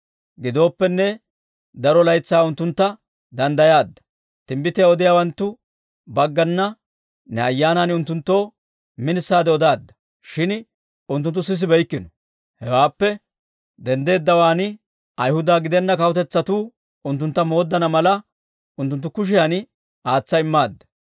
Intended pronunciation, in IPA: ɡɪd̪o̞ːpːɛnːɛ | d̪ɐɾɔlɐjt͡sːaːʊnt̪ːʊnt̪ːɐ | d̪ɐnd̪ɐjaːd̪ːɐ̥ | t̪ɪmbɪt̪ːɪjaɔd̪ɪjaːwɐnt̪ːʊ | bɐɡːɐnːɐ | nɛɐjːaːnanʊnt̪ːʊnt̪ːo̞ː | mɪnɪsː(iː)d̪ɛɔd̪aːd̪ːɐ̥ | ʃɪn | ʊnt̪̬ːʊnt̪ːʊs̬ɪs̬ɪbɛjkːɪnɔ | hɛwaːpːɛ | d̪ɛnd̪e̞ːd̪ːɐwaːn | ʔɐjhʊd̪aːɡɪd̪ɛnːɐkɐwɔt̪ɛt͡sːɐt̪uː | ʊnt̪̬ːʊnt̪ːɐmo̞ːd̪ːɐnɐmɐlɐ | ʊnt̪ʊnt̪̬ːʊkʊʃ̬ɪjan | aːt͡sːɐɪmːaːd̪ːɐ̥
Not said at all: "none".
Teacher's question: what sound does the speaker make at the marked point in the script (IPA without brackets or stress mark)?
aː